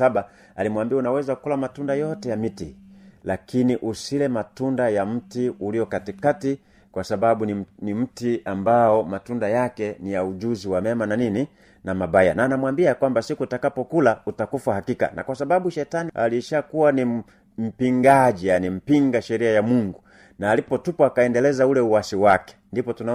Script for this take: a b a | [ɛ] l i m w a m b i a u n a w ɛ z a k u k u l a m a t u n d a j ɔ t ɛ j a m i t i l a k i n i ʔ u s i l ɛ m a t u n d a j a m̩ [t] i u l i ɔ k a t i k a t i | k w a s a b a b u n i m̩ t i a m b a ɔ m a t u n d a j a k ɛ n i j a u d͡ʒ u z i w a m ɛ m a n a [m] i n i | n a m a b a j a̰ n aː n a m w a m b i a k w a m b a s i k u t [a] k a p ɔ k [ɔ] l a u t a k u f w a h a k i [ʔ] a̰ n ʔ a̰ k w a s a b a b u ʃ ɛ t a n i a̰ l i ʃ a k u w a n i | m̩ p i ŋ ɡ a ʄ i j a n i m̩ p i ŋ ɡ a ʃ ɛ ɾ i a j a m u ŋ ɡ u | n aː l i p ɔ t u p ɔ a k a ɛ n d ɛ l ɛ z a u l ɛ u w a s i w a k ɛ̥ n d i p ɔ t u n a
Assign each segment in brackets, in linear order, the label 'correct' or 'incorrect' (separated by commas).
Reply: incorrect, correct, incorrect, correct, incorrect, incorrect